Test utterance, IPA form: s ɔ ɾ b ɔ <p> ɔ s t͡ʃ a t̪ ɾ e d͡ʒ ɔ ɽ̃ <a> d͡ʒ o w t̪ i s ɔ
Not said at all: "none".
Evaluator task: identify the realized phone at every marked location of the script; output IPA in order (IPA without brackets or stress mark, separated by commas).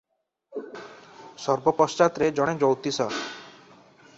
p, e